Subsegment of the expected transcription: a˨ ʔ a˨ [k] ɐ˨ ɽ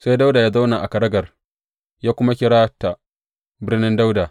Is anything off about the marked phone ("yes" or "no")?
no